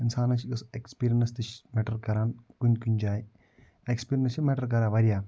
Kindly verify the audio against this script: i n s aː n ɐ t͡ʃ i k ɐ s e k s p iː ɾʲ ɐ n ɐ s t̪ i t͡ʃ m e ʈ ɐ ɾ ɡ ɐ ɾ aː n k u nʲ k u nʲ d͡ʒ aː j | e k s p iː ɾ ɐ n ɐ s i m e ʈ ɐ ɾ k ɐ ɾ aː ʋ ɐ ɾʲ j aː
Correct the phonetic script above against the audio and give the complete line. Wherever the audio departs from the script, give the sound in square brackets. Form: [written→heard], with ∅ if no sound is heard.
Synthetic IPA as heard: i n s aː n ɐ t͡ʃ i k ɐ s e k s p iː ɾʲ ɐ n ɐ s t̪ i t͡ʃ m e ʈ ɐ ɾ [ɡ→k] ɐ ɾ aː n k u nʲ k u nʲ d͡ʒ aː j | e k s p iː ɾ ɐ n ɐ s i m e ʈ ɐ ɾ k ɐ ɾ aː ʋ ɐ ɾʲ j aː